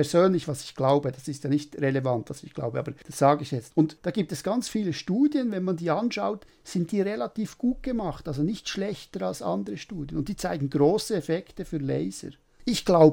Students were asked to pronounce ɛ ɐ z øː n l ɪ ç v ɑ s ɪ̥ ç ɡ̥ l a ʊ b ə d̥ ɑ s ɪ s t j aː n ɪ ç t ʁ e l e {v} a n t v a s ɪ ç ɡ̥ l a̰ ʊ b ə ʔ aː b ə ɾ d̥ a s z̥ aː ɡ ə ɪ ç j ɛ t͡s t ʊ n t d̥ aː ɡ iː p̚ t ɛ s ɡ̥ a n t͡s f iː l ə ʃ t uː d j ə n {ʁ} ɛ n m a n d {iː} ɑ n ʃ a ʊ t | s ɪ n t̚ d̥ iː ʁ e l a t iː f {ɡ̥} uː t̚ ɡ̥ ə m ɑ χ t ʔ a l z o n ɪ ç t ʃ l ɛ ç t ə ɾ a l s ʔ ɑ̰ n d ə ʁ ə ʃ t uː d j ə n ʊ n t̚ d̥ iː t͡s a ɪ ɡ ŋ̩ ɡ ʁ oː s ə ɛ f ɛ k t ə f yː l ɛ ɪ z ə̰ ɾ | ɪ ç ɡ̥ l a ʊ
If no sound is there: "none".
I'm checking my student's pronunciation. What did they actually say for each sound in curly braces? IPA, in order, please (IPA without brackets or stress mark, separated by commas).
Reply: v, v, iː, ɡ̥